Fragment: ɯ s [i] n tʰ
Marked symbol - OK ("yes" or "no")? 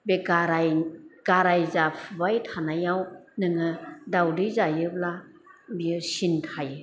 yes